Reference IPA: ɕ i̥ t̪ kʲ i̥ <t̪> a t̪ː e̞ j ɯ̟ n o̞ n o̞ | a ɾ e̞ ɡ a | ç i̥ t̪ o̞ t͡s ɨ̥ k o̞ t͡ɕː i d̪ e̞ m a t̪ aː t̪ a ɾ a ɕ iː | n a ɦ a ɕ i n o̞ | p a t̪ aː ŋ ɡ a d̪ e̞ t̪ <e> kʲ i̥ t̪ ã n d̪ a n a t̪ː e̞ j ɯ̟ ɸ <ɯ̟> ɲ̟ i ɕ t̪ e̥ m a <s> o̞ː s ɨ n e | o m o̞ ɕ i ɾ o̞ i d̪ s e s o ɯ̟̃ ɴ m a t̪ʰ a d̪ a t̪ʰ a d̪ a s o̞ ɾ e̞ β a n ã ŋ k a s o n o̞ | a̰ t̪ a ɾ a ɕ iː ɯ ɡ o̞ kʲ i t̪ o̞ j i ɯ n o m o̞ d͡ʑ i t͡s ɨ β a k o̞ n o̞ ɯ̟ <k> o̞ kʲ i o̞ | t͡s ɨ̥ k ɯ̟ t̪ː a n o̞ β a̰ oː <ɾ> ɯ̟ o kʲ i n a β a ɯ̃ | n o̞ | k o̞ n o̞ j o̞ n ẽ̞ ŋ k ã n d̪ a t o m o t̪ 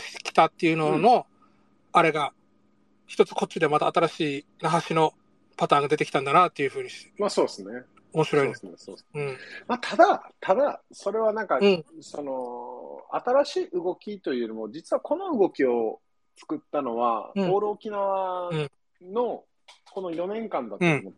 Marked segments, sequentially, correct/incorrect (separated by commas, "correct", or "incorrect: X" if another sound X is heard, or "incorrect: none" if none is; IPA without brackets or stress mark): correct, correct, incorrect: ɯ̟ː, correct, incorrect: ɡ, correct